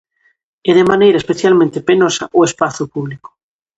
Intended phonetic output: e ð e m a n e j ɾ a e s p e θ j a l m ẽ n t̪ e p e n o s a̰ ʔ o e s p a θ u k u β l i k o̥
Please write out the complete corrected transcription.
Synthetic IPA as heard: e ð e m a n e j ɾ a e s p e θ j a l m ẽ n t̪ e p e n o s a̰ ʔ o e s p a θ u p u β l i k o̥